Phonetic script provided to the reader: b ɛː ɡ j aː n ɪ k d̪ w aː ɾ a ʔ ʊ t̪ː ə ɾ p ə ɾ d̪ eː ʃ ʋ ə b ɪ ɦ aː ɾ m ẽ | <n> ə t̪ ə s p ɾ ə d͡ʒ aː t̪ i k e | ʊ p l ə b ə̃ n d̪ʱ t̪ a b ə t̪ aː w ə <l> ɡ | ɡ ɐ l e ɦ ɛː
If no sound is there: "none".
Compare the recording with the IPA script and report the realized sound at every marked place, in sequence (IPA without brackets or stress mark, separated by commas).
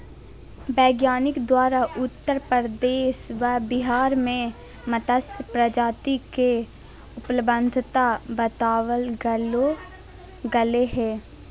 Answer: m, l